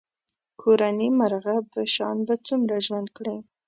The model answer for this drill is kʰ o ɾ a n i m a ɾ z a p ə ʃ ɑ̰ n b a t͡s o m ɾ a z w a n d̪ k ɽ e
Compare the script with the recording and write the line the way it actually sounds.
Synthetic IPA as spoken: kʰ o ɾ a n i m a ɾ ɣ a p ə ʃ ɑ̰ n b a t͡s u m ɾ a ʒ w a n d̪ k ɽ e